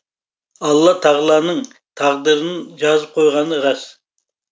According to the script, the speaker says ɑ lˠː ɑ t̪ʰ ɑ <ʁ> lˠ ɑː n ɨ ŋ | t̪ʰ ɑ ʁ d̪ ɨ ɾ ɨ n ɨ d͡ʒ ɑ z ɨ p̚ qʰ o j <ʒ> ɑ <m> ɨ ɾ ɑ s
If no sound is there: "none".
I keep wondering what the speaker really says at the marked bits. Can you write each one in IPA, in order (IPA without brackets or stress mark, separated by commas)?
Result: ʁ, ʁ, n